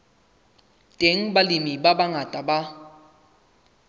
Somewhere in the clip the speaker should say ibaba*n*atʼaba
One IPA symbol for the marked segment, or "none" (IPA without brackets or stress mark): ŋ